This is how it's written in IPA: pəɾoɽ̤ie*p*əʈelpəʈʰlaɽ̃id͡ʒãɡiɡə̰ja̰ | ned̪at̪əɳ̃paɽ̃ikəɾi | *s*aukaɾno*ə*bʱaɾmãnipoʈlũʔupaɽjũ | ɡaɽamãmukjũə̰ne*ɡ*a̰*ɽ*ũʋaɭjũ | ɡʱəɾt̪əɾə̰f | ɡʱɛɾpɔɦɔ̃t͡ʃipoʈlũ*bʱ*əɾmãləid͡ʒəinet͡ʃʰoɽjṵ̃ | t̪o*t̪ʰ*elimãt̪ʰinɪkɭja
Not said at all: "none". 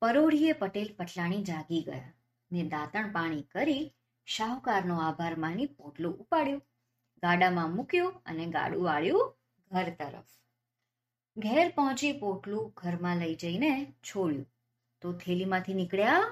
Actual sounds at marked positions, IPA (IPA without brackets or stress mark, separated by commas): p, ʃ, a, ɡ, ɽ, ɡʱ, t̪ʰ